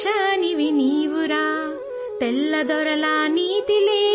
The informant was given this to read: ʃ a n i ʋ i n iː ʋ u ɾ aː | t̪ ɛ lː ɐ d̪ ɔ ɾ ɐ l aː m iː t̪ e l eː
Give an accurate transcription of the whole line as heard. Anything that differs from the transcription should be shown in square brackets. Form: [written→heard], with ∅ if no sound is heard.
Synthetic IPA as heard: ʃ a n i ʋ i n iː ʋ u ɾ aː | t̪ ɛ lː ɐ d̪ ɔ ɾ ɐ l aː [m→n] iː t̪ [e→i] l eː

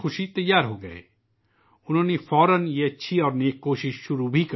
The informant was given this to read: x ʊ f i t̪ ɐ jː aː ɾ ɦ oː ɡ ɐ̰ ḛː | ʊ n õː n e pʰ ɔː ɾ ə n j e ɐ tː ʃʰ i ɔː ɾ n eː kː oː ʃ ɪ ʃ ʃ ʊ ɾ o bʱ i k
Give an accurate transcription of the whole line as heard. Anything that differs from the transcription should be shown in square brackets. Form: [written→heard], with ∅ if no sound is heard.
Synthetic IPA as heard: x ʊ [f→ʃ] i t̪ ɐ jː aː ɾ ɦ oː ɡ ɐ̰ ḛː | ʊ n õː n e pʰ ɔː ɾ ə n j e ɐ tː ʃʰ i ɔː ɾ n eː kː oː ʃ ɪ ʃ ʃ ʊ ɾ [o→u] bʱ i k

